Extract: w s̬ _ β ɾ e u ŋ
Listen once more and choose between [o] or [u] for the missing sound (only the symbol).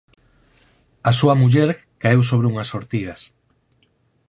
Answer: o